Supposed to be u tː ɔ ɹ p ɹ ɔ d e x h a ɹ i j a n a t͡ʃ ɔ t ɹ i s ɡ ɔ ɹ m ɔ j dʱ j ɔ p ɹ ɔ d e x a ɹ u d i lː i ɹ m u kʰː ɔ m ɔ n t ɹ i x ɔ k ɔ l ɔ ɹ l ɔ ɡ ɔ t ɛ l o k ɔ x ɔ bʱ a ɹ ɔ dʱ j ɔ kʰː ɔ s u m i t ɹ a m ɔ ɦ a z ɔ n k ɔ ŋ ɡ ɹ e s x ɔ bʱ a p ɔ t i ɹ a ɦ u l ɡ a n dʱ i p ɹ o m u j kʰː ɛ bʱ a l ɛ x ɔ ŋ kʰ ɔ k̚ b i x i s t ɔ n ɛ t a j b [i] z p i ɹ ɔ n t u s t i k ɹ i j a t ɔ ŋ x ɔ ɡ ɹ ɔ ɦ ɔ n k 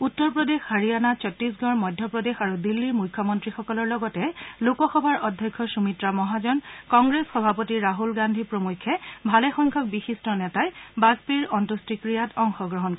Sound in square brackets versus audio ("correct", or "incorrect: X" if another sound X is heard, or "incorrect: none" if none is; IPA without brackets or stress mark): incorrect: a